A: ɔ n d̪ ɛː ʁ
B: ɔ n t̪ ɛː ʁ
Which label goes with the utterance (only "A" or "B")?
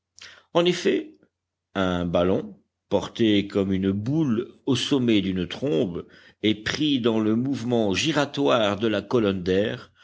A